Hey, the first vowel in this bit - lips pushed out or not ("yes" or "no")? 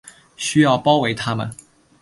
yes